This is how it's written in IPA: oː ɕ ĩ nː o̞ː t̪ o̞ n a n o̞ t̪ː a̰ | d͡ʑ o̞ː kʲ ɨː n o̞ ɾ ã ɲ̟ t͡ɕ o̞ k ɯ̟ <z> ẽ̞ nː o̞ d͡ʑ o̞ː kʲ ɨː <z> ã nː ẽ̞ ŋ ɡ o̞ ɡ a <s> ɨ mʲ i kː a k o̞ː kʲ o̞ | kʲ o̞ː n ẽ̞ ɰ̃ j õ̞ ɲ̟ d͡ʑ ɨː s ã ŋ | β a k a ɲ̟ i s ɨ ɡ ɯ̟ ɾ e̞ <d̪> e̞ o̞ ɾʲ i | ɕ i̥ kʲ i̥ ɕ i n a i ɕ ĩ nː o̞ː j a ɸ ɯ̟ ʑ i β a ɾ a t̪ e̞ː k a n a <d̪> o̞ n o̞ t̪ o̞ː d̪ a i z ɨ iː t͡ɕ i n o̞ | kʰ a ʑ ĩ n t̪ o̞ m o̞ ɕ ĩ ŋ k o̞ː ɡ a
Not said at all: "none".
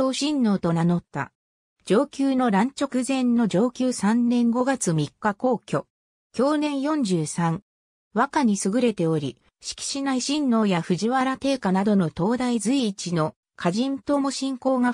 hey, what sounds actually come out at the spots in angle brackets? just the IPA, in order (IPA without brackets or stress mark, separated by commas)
z, s, t͡s, t̪, d̪